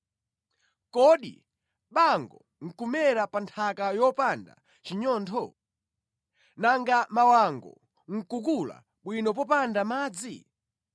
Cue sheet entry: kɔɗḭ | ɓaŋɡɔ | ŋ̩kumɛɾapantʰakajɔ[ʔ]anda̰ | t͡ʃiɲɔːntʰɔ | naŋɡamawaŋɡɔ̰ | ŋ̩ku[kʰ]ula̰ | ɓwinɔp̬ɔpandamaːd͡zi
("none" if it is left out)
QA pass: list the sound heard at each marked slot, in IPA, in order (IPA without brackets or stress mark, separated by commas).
p, k